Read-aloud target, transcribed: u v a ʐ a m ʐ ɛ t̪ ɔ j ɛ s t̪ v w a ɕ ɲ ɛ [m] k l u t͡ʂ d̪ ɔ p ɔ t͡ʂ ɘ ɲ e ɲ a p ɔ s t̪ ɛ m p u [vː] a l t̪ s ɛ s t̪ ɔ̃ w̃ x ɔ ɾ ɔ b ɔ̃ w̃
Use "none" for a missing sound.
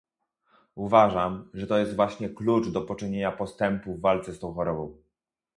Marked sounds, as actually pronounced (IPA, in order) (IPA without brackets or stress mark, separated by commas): none, vː